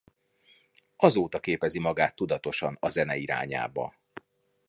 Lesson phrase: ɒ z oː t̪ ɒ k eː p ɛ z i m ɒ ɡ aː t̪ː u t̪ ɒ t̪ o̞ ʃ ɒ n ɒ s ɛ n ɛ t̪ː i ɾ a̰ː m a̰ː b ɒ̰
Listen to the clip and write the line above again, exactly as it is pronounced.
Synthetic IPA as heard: ɒ z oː t̪ ɒ k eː p ɛ z i m ɒ ɡ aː t̪ː u d̪ ɒ t̪ o̞ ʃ ɒ n ɒ z ɛ n ɛ i ɾ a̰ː ɲ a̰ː b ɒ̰